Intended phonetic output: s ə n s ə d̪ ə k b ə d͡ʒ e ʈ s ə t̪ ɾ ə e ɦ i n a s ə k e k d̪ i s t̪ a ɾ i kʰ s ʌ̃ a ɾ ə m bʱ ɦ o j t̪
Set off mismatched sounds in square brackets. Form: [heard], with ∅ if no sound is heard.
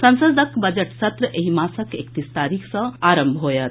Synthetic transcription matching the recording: s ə n s ə d̪ ə k b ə d͡ʒ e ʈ s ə t̪ ɾ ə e ɦ i [m] a s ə k e k [t̪] i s t̪ a ɾ i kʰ s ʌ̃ a ɾ ə m bʱ ɦ o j t̪